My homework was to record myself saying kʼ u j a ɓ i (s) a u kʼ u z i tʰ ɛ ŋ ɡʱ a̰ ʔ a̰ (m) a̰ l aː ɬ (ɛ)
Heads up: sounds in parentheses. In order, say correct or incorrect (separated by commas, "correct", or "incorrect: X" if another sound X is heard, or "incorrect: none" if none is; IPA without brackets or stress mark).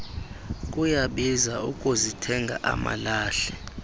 incorrect: z, correct, correct